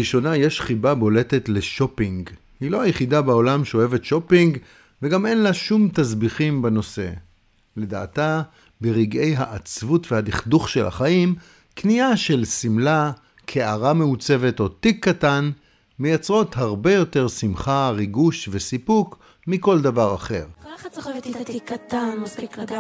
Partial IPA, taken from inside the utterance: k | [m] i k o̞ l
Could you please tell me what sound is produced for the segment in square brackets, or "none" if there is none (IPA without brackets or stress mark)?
m